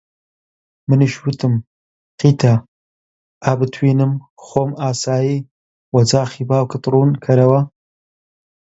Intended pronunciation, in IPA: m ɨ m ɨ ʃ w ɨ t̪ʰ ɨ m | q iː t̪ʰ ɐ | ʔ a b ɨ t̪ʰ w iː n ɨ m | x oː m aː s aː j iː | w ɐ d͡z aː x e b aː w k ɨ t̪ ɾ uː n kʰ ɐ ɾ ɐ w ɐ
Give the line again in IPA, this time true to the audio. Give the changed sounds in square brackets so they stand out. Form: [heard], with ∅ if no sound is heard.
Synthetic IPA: m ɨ [n] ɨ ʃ w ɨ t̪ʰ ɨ m | q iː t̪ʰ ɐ | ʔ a b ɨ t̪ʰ w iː n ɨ m | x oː m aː s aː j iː | w ɐ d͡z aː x [i] b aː w k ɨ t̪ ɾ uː n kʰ ɐ ɾ ɐ w ɐ